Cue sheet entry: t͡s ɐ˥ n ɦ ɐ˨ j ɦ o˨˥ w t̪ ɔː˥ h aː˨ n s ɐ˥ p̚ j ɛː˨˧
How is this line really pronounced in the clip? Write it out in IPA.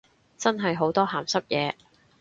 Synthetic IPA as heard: t͡s ɐ˥ n ɦ ɐ˨ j ɦ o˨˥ w t̪ ɔː˥ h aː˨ m s ɐ˥ p̚ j ɛː˨˧